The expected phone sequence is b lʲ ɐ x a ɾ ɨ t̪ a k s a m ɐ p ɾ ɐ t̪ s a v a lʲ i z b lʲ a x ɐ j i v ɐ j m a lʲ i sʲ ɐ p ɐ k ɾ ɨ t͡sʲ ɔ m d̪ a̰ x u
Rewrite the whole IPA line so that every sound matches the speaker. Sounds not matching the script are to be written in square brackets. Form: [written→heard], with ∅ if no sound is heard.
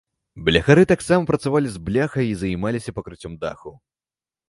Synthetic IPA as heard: b lʲ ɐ x a ɾ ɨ t̪ a k s a m ɐ p ɾ ɐ t̪ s a v a lʲ i z b lʲ a x ɐ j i [v→z] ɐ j m a lʲ i sʲ ɐ p ɐ k ɾ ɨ t͡sʲ ɔ m d̪ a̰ x u